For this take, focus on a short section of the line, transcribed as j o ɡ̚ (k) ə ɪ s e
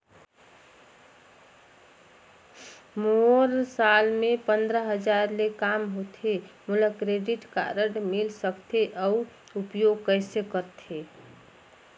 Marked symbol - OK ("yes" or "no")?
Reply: yes